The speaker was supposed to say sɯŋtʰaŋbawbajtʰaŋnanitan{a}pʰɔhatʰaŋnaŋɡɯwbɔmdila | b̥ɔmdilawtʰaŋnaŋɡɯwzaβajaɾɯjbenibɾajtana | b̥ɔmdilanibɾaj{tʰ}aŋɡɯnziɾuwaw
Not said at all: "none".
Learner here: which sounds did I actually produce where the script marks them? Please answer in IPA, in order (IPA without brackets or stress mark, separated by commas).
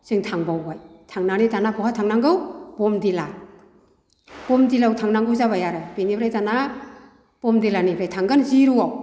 a, tʰ